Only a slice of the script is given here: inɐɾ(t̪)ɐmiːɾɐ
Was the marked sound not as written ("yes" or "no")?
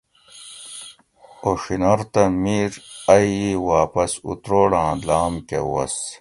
no